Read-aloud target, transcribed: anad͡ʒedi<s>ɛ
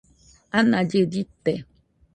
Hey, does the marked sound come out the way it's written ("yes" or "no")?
no